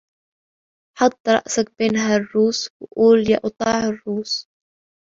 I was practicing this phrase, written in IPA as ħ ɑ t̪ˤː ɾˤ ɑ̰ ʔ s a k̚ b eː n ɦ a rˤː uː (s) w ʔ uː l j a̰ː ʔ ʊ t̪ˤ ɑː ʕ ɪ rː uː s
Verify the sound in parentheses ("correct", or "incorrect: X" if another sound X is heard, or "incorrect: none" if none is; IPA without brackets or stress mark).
correct